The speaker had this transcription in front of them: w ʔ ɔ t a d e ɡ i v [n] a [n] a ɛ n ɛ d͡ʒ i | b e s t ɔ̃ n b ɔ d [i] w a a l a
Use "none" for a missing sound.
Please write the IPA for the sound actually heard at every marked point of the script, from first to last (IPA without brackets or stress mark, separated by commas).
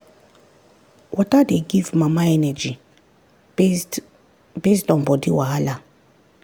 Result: m, m, i